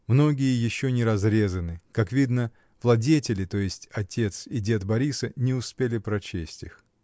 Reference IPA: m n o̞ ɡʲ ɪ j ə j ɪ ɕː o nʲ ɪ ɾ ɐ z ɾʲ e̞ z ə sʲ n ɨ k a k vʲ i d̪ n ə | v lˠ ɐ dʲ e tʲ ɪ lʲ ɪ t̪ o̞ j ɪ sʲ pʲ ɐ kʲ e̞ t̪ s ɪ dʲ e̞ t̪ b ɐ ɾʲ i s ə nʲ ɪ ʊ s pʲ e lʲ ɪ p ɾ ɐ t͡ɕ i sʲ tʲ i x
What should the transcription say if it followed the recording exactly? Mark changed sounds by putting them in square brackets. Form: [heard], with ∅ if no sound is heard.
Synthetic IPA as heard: m n o̞ ɡʲ ɪ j ə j ɪ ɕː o nʲ ɪ ɾ ɐ z ɾʲ e̞ z ə [∅] n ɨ k a k vʲ i d̪ n ə | v lˠ ɐ dʲ e tʲ ɪ lʲ ɪ t̪ o̞ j ɪ sʲ [tʲ] ɐ [tʲ] e̞ t̪ s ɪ dʲ e̞ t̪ b ɐ ɾʲ i s ə nʲ ɪ ʊ s pʲ e lʲ ɪ p ɾ ɐ t͡ɕ [e] sʲ tʲ i x

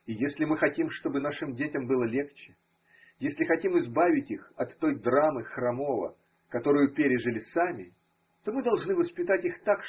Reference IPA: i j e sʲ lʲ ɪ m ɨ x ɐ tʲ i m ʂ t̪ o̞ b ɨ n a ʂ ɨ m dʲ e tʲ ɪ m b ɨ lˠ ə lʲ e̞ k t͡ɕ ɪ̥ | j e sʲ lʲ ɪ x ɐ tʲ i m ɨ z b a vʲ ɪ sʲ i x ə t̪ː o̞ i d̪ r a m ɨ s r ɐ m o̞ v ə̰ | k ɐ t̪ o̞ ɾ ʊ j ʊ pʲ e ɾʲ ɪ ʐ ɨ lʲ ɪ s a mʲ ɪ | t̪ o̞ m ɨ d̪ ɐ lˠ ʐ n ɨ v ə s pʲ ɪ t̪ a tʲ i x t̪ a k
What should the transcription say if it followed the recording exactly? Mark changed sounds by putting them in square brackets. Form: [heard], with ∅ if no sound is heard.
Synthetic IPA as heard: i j e sʲ lʲ ɪ m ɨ x ɐ tʲ i m ʂ t̪ o̞ b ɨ n a ʂ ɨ m dʲ e tʲ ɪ m b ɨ lˠ ə lʲ e̞ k t͡ɕ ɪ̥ | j e sʲ lʲ ɪ x ɐ tʲ i m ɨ z b a vʲ ɪ [tʲ] i x [ɐ] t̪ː o̞ [j] d̪ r a m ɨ [x] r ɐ m o̞ v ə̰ | k ɐ t̪ o̞ ɾ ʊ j ʊ pʲ e ɾʲ ɪ ʐ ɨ lʲ ɪ s a mʲ ɪ | t̪ o̞ m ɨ d̪ ɐ lˠ ʐ n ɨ v ə s pʲ ɪ t̪ a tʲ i x t̪ a k

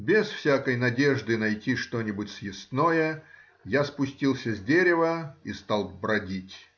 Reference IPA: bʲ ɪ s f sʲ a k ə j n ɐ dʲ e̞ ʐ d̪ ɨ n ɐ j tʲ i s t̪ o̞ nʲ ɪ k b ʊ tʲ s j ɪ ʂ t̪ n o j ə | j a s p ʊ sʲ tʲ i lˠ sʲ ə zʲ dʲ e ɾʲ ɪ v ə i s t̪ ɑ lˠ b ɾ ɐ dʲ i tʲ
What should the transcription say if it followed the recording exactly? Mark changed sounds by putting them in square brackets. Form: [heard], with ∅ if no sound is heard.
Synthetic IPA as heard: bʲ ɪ s f sʲ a k ə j n ɐ dʲ e̞ ʐ d̪ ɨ n ɐ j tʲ i [ʂ] t̪ o̞ nʲ ɪ [∅] b ʊ tʲ s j ɪ [s] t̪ n o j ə | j a s p ʊ sʲ tʲ i lˠ sʲ ə zʲ dʲ e ɾʲ ɪ v ə i s t̪ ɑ lˠ b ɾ ɐ dʲ i tʲ

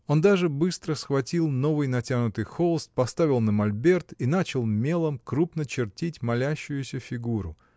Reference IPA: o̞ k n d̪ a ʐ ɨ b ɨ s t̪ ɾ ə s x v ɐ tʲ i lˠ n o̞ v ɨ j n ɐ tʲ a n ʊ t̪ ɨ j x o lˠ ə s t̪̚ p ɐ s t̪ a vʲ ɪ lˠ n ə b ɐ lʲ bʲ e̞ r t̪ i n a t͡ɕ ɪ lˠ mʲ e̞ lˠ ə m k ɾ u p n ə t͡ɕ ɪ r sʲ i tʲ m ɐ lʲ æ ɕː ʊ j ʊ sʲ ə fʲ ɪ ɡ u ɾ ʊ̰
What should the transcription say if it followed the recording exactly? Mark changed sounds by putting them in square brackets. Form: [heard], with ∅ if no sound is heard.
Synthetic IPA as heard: o̞ [∅] n d̪ a ʐ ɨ b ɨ s t̪ ɾ ə s x v ɐ tʲ i lˠ n o̞ v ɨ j n ɐ tʲ a n ʊ t̪ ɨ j x o lˠ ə s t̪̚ p ɐ s t̪ a vʲ ɪ lˠ n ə [m] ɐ lʲ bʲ e̞ r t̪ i n a t͡ɕ ɪ lˠ mʲ e̞ lˠ ə m k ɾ u p n ə t͡ɕ ɪ r [tʲ] i tʲ m ɐ lʲ æ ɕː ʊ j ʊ sʲ ə fʲ ɪ ɡ u ɾ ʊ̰

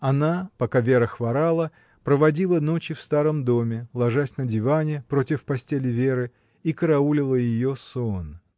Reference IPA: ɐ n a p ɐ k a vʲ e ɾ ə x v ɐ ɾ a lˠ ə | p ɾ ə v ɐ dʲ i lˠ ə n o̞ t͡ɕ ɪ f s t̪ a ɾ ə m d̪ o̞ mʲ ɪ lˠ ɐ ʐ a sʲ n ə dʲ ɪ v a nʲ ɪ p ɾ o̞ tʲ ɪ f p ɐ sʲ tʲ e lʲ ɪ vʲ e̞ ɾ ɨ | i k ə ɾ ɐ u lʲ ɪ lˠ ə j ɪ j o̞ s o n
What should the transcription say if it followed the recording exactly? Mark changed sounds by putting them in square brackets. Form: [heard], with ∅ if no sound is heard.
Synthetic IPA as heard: ɐ n a p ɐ k a vʲ e ɾ ə x v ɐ ɾ a lˠ ə | p ɾ ə v ɐ dʲ i lˠ ə n o̞ t͡ɕ ɪ f s t̪ a ɾ ə m d̪ o̞ mʲ ɪ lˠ ɐ ʐ a sʲ n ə dʲ ɪ v a nʲ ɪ p ɾ o̞ tʲ ɪ f p ɐ sʲ tʲ e lʲ ɪ vʲ e̞ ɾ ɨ | i k ə ɾ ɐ u lʲ ɪ lˠ ə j ɪ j o̞ s o n

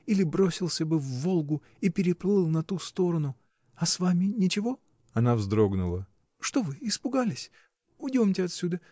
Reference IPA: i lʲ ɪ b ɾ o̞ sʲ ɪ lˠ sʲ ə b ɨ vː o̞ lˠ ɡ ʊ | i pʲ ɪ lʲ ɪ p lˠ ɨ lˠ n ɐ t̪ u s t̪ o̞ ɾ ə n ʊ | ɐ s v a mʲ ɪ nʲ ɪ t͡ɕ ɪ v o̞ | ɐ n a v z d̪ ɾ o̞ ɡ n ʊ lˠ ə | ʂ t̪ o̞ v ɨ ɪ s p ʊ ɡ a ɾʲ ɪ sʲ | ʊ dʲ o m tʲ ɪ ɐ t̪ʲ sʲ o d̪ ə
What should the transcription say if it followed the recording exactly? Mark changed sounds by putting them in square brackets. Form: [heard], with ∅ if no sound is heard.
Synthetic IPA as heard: i lʲ ɪ b ɾ o̞ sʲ ɪ lˠ sʲ ə b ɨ vː o̞ lˠ ɡ ʊ | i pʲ ɪ [ɾʲ] ɪ p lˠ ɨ lˠ n ɐ t̪ u s t̪ o̞ ɾ ə n ʊ | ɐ s v a mʲ ɪ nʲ ɪ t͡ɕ ɪ v o̞ | ɐ n a v z d̪ ɾ o̞ ɡ n ʊ lˠ ə | ʂ t̪ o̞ v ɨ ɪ s p ʊ ɡ a [lʲ] ɪ sʲ | ʊ dʲ o m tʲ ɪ ɐ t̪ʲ sʲ [u] d̪ ə

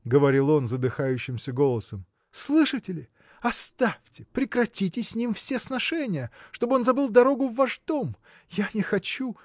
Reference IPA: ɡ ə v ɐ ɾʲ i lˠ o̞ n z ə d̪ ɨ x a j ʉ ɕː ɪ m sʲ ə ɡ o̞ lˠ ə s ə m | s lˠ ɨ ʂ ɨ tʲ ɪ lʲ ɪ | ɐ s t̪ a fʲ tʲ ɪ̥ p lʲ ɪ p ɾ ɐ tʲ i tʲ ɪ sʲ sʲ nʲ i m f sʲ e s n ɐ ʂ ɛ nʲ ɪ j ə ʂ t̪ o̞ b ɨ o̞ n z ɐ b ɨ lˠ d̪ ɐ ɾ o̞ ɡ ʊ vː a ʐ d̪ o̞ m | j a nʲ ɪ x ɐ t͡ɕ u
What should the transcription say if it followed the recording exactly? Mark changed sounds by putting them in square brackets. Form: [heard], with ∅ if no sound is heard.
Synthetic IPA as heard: ɡ ə v ɐ ɾʲ i lˠ o̞ n z ə d̪ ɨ x a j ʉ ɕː ɪ m sʲ ə ɡ o̞ lˠ ə s ə m | s lˠ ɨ ʂ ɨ tʲ ɪ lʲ ɪ | ɐ s t̪ a fʲ tʲ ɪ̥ p [ɾʲ] ɪ [k] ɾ ɐ tʲ i tʲ ɪ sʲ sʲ nʲ i m f sʲ e s n ɐ ʂ ɛ nʲ ɪ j ə ʂ t̪ o̞ b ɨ o̞ n z ɐ b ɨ lˠ d̪ ɐ ɾ o̞ ɡ ʊ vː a ʐ d̪ o̞ m | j a nʲ ɪ x ɐ t͡ɕ u

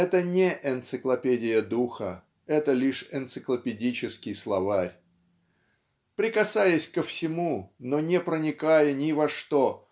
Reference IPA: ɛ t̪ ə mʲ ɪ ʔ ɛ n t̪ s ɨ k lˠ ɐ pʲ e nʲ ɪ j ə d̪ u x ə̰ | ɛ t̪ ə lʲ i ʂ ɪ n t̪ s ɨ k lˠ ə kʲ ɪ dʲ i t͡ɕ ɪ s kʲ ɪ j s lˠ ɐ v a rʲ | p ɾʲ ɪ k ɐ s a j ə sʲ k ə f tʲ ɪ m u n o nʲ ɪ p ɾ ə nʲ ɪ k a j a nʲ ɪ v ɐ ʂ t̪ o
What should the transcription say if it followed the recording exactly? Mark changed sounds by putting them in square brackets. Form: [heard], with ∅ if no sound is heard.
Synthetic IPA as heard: ɛ t̪ ə [nʲ] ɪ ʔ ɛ n t̪ s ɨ k lˠ ɐ pʲ e [dʲ] ɪ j ə d̪ u x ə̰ | ɛ t̪ ə lʲ i ʂ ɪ n t̪ s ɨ k lˠ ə [pʲ] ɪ dʲ i t͡ɕ ɪ s kʲ ɪ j s lˠ ɐ v a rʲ | p ɾʲ ɪ k ɐ s a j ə sʲ k ə f [sʲ] ɪ m u n o nʲ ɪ p ɾ ə nʲ ɪ k a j [ə] nʲ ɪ v ɐ ʂ t̪ o

